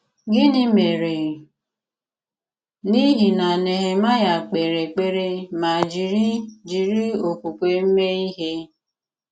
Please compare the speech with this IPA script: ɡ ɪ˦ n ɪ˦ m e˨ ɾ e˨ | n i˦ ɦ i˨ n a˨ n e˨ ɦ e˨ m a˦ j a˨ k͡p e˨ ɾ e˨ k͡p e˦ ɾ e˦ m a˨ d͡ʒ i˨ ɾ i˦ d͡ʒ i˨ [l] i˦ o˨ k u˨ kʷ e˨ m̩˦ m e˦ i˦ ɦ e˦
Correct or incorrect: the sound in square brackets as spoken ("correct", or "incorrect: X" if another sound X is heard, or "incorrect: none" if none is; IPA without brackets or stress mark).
incorrect: ɾ